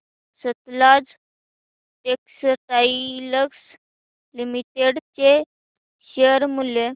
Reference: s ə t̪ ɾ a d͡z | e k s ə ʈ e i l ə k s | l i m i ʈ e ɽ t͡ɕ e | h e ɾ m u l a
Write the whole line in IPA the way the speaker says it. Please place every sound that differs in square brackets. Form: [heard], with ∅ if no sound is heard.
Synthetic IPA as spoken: s ə t̪ [l] a d͡z | e k s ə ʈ [a] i l ə k s | l i m i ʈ e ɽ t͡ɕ e | [ɕ] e ɾ m u l [e]

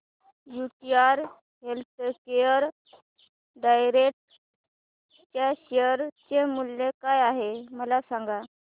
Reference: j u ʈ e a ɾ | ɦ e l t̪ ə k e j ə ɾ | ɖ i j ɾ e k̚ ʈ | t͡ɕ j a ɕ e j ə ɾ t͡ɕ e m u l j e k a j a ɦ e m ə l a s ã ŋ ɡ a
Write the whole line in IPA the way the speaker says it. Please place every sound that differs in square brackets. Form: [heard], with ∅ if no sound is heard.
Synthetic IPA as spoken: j u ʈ [i] a ɾ | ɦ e l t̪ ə k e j ə ɾ | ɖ [a] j ɾ e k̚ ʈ | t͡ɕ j a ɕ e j ə ɾ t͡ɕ e m u l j e k a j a ɦ e m ə l a s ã ŋ ɡ a

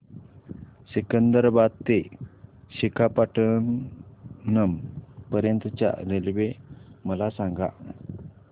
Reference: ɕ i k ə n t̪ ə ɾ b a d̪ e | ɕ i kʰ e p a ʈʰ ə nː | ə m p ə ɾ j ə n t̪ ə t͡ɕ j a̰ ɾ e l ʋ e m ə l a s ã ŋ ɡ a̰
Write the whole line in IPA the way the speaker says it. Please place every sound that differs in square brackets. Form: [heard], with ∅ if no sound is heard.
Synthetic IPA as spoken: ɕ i k ə n [d̪] ə ɾ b a [t̪] e | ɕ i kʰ [a] p a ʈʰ ə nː | ə m p ə ɾ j ə n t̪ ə t͡ɕ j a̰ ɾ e l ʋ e m ə l a s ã ŋ ɡ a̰

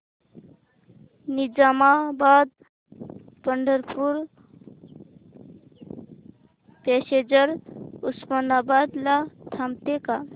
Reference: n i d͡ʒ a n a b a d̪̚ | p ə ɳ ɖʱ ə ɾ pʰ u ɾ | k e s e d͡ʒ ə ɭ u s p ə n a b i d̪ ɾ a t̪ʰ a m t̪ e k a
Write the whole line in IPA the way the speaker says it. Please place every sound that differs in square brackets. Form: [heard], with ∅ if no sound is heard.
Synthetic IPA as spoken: n i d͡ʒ a [m] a b a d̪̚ | p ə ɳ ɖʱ ə ɾ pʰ u ɾ | [p] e s e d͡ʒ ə [ɾ] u s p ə n a b [a] d̪ [l] a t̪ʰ a m t̪ e k a

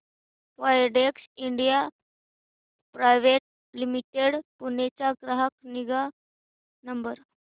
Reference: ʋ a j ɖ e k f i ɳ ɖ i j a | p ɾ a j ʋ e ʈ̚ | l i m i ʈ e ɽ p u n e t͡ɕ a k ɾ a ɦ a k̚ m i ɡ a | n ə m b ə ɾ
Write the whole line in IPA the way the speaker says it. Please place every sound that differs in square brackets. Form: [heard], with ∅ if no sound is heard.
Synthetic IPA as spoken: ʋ a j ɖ e k [s] i ɳ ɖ i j a | p ɾ a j ʋ e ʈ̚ | l i m i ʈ e ɽ p u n e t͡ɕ a [ɡ] ɾ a ɦ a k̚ [n] i ɡ a | n ə m b ə ɾ

